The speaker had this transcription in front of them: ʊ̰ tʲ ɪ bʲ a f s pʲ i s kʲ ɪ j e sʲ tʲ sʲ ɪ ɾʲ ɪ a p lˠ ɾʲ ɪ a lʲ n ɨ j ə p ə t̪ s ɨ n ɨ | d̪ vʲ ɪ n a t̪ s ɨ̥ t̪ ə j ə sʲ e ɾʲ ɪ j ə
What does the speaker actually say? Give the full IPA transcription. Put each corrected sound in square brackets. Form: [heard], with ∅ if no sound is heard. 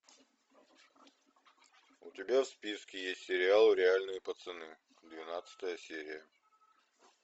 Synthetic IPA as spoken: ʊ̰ tʲ ɪ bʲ a f s pʲ i s kʲ ɪ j e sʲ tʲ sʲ ɪ ɾʲ ɪ a [∅] lˠ ɾʲ ɪ a lʲ n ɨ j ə p ə t̪ s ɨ n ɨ | d̪ vʲ ɪ n a t̪ s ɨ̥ t̪ ə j ə sʲ e ɾʲ ɪ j ə

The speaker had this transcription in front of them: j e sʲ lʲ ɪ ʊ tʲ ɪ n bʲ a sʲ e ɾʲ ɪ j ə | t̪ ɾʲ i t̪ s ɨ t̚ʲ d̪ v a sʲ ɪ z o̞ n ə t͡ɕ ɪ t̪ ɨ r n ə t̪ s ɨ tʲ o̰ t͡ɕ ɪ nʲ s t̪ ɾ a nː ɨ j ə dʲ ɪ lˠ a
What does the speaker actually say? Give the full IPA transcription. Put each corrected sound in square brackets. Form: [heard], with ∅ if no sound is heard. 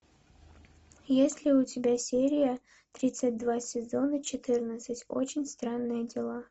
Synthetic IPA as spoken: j e sʲ lʲ ɪ ʊ tʲ ɪ [∅] bʲ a sʲ e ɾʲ ɪ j ə | t̪ ɾʲ i t̪ s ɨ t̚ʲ d̪ v a sʲ ɪ z o̞ n ə t͡ɕ ɪ t̪ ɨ r n ə t̪ s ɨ tʲ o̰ t͡ɕ ɪ nʲ s t̪ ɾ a nː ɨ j ə dʲ ɪ lˠ a

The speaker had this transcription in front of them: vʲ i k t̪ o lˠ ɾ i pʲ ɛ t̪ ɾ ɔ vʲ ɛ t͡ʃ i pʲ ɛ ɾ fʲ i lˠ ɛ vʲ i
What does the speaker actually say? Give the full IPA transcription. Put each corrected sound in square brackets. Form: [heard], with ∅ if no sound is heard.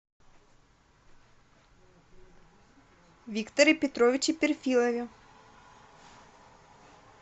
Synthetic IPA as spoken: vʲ i k t̪ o [∅] ɾ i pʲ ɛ t̪ ɾ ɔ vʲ [i] t͡ʃ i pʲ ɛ ɾ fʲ i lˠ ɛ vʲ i

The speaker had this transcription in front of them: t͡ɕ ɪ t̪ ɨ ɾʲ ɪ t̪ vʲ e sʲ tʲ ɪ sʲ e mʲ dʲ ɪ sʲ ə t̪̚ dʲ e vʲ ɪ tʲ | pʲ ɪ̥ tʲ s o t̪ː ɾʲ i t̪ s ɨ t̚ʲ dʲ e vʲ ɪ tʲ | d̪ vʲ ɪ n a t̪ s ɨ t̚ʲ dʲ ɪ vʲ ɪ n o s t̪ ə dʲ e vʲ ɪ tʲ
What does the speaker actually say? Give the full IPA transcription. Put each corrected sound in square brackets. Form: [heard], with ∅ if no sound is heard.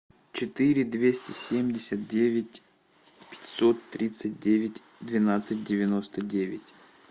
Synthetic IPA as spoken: t͡ɕ ɪ t̪ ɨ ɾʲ ɪ [d̪] vʲ e sʲ tʲ ɪ sʲ e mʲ dʲ ɪ sʲ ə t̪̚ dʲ e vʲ ɪ tʲ | pʲ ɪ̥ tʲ s o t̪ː ɾʲ i t̪ s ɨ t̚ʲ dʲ e vʲ ɪ tʲ | d̪ vʲ ɪ n a t̪ s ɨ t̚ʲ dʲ ɪ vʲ ɪ n o s t̪ ə dʲ e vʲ ɪ tʲ

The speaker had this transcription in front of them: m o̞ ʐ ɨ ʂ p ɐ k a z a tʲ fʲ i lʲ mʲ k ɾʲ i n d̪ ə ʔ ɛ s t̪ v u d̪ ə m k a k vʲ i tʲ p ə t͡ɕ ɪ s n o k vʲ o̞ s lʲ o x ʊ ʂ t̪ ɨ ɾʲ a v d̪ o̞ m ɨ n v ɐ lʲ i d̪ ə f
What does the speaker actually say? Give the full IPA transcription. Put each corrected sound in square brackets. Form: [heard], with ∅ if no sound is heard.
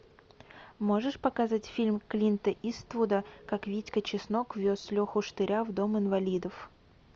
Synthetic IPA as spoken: m o̞ ʐ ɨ ʂ p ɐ k a z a tʲ fʲ i lʲ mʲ k [lʲ] i n [t̪] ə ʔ [i] s t̪ v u d̪ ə [∅] k a k vʲ i tʲ [k] ə t͡ɕ ɪ s n o k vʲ o̞ s lʲ o x ʊ ʂ t̪ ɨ ɾʲ a v d̪ o̞ m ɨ n v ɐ lʲ i d̪ ə f

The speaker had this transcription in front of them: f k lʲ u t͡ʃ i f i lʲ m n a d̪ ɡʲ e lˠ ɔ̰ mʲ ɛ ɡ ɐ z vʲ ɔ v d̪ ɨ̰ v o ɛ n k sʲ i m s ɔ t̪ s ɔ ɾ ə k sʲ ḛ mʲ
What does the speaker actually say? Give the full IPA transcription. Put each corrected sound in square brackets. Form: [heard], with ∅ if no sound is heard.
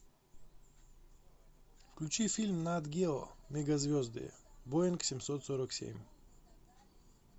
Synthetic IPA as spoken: f k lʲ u t͡ʃ i f i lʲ m n a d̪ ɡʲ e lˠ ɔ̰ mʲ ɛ ɡ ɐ z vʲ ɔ [z] d̪ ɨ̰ [b] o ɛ n k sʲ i m s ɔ t̪ s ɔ ɾ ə k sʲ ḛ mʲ

